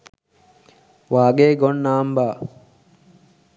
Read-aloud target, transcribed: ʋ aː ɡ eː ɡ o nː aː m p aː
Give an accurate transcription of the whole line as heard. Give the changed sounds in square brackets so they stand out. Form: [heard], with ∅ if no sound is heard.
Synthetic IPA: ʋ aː ɡ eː ɡ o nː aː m [b] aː